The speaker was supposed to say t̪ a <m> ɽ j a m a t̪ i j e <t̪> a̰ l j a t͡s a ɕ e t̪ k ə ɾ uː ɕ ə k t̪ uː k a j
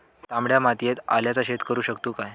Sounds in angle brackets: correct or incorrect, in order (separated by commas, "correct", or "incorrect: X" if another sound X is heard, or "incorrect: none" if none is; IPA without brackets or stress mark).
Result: correct, correct